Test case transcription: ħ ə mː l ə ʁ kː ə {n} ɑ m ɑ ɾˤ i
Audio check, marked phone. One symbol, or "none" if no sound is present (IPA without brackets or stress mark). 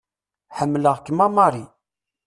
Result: m